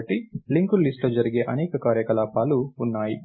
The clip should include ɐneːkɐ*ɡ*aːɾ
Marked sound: incorrect: k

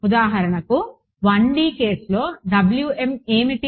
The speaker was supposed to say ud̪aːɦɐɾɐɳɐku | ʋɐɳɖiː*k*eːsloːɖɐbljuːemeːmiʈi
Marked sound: correct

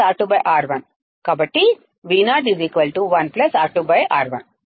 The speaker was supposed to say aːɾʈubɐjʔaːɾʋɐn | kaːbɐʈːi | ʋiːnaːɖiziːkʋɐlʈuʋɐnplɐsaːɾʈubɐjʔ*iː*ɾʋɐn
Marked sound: incorrect: aː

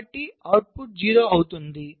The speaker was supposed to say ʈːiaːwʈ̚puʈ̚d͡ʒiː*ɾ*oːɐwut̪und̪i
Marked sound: correct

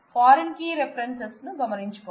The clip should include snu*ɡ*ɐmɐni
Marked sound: correct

